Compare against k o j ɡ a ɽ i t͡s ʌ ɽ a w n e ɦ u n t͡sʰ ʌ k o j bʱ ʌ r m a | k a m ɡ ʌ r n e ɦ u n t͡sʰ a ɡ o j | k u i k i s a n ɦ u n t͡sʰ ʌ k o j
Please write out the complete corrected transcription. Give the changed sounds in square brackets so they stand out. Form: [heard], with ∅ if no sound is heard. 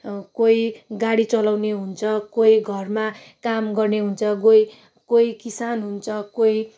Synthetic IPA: k o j ɡ a ɽ i t͡s ʌ [l] a w n e ɦ u n t͡sʰ ʌ k o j [ɡʱ] ʌ r m a | k a m ɡ ʌ r n e ɦ u n t͡sʰ [ʌ] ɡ o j | k [o] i k i s a n ɦ u n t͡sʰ ʌ k o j